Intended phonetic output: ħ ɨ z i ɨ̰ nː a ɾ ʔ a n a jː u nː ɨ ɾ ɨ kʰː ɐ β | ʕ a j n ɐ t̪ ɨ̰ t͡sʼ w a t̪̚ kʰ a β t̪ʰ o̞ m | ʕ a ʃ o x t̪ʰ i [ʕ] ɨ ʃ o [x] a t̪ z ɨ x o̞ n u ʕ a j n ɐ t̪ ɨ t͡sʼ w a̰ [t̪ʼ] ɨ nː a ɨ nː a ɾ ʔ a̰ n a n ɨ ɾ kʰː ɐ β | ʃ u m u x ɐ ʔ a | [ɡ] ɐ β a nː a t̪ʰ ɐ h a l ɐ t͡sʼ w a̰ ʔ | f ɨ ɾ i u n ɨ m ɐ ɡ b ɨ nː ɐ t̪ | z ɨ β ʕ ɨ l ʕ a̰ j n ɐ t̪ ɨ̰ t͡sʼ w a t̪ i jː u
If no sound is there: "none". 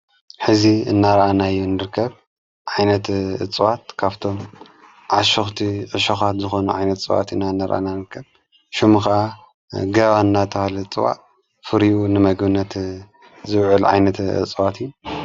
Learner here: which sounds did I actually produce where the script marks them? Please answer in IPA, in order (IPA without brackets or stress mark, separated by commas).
ʕ, x, t̪, ɡ